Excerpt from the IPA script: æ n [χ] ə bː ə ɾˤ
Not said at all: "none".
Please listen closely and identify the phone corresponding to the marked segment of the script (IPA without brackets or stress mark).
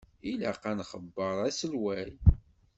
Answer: χ